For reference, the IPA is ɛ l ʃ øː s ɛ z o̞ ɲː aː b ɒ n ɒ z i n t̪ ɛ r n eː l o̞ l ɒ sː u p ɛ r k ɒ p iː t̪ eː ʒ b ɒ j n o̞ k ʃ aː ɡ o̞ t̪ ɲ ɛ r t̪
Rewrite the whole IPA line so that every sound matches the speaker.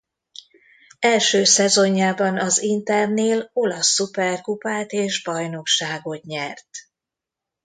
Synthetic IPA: ɛ l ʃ øː s ɛ z o̞ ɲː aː b ɒ n ɒ z i n t̪ ɛ r n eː l o̞ l ɒ sː u p ɛ r k u p aː t̪ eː ʒ b ɒ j n o̞ k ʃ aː ɡ o̞ t̪ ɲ ɛ r t̪